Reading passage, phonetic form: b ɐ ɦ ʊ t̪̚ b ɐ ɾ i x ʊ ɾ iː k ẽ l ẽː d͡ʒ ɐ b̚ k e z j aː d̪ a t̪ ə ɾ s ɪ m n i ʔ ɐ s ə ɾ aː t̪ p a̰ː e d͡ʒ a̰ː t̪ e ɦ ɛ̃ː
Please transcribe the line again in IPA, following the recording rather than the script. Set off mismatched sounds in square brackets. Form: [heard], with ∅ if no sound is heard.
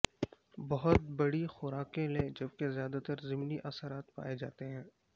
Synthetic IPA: b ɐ ɦ ʊ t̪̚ b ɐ [ɽ] i x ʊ ɾ [aː] k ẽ l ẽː d͡ʒ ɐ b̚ k e z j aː d̪ a t̪ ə ɾ [z] ɪ m n i ʔ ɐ s ə ɾ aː t̪ p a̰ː e d͡ʒ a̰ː t̪ e ɦ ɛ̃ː